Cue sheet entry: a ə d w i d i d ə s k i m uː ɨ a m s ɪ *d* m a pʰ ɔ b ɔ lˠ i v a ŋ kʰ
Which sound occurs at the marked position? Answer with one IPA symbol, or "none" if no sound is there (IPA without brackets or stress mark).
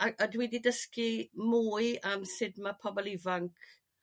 d